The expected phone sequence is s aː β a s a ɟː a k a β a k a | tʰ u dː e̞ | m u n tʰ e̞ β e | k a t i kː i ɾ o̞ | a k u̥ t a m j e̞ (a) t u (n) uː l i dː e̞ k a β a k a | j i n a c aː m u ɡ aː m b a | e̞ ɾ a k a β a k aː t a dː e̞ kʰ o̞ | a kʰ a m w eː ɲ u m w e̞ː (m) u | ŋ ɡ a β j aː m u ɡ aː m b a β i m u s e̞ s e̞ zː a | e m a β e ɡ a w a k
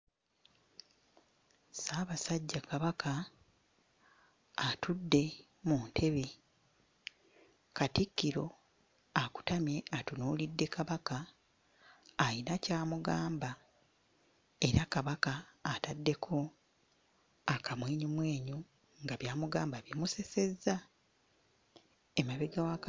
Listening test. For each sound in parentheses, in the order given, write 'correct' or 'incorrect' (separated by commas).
correct, correct, incorrect